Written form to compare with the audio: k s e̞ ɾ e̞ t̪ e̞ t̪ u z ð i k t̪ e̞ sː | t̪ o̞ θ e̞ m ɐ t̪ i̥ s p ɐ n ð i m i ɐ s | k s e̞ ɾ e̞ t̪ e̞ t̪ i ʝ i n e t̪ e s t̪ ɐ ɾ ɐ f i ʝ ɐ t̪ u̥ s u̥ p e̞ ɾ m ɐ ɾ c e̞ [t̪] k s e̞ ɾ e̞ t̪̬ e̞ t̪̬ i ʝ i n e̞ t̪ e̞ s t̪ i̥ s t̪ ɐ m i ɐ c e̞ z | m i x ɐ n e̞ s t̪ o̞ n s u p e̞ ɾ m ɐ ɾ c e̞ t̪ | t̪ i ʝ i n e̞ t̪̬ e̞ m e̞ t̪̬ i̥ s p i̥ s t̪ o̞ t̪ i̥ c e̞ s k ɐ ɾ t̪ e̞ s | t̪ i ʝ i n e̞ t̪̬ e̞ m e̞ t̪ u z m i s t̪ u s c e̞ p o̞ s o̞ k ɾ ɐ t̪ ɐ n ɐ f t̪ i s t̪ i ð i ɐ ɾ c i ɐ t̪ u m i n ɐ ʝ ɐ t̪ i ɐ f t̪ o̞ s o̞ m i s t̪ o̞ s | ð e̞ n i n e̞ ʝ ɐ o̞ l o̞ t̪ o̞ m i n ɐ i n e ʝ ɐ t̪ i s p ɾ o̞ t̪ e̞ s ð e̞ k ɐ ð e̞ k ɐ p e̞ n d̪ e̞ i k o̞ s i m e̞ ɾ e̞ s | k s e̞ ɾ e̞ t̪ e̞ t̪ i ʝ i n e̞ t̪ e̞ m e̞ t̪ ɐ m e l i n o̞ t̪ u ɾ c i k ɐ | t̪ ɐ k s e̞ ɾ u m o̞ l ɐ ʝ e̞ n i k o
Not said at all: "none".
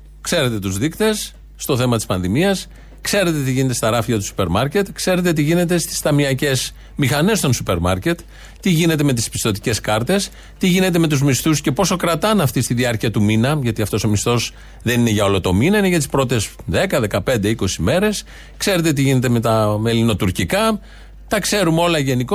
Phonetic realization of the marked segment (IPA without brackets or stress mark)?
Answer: t̪